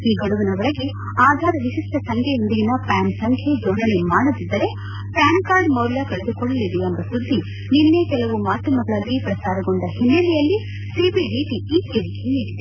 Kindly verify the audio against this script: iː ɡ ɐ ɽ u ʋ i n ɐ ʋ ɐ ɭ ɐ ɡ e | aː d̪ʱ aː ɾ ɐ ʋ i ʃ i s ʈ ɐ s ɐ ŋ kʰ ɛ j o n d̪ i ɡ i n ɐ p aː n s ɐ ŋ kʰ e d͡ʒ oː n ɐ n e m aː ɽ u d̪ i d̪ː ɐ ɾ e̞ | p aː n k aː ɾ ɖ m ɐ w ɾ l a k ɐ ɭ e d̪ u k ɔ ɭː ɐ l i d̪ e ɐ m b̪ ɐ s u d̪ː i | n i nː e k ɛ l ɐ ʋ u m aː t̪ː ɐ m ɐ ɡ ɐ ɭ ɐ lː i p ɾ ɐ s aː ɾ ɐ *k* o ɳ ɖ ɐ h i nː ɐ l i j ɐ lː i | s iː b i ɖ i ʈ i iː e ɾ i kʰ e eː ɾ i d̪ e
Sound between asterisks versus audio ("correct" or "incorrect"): incorrect